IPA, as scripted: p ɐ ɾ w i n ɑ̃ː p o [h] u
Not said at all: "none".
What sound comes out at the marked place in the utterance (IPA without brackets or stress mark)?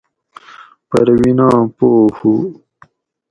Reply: h